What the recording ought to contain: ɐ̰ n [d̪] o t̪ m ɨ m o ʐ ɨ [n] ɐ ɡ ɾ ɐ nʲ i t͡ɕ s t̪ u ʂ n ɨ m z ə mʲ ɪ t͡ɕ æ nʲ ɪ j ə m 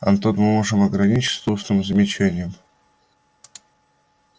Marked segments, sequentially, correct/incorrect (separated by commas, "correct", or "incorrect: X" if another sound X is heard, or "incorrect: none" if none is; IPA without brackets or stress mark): incorrect: t̪, incorrect: m